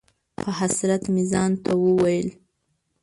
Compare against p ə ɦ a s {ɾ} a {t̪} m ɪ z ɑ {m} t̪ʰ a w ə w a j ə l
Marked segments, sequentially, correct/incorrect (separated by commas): correct, correct, incorrect